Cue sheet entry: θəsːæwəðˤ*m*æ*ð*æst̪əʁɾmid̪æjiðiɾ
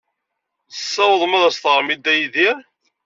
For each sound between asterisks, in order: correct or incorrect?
correct, correct

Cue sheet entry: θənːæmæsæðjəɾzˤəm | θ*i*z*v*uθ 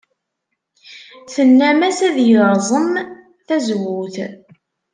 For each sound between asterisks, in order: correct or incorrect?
incorrect: æ, incorrect: w

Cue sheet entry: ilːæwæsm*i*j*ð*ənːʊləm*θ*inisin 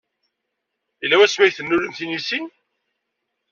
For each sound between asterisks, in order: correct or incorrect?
incorrect: æ, incorrect: θ, correct

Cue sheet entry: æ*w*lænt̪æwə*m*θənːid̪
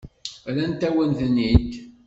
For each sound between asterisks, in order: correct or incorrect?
incorrect: none, incorrect: n

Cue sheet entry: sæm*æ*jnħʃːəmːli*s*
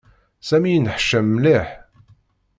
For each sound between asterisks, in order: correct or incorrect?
incorrect: i, incorrect: ħ

